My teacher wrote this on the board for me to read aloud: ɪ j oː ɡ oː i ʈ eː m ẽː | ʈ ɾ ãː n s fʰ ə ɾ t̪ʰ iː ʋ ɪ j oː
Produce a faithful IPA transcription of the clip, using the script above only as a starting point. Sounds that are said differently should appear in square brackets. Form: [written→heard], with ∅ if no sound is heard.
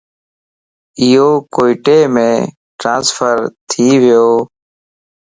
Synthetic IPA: ɪ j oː [ɡ→k] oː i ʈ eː m ẽː | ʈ ɾ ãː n s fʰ ə ɾ t̪ʰ iː ʋ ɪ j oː